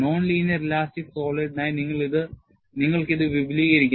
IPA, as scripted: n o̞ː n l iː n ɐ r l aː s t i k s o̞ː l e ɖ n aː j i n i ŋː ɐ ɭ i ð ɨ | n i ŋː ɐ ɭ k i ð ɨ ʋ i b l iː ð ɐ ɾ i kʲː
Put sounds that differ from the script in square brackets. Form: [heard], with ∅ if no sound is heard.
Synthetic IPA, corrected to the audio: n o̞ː n l iː n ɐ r l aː s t i k s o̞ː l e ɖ n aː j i n i ŋː ɐ ɭ i ð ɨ | n i ŋː ɐ ɭ k i ð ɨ ʋ i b l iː [ɣ] ɐ ɾ i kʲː